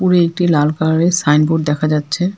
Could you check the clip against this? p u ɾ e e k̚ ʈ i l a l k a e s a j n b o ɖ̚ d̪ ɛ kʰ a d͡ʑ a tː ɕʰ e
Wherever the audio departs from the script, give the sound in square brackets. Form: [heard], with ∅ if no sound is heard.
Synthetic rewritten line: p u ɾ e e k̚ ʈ i l a l k a e s a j n b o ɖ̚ d̪ ɛ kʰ a d͡ʑ a tː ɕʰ e